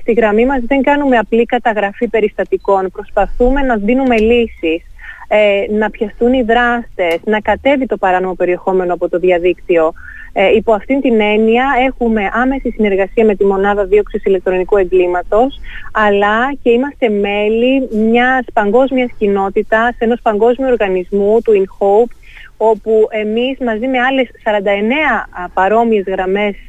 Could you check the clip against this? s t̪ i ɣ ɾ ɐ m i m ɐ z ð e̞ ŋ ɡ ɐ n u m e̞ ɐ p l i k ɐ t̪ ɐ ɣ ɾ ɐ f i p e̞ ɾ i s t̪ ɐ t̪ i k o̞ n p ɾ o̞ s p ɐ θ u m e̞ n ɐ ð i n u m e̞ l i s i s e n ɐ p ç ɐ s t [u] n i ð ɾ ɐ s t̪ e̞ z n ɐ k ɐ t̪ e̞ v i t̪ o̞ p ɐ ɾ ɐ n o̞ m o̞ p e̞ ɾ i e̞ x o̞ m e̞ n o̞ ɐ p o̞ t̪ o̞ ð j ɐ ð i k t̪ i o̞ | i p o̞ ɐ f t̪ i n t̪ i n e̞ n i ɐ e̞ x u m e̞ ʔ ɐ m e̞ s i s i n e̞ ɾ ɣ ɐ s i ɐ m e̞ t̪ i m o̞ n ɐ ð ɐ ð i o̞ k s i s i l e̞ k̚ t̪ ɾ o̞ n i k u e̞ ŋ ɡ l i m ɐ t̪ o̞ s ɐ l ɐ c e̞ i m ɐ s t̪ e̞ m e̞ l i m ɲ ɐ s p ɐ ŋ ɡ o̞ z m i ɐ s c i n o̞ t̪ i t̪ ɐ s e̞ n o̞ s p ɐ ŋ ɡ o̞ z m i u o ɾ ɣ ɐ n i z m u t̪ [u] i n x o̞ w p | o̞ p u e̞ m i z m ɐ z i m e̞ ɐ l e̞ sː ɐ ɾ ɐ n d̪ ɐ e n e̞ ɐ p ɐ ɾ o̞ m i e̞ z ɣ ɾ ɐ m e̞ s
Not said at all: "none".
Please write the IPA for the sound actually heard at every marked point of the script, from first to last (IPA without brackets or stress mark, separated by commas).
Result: u, u